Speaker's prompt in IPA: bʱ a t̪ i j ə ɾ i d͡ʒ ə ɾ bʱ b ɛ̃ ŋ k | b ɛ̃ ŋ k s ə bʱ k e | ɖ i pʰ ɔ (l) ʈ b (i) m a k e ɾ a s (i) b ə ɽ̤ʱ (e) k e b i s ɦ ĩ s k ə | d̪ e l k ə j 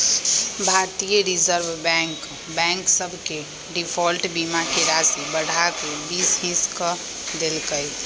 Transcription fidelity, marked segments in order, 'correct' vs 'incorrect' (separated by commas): correct, correct, correct, incorrect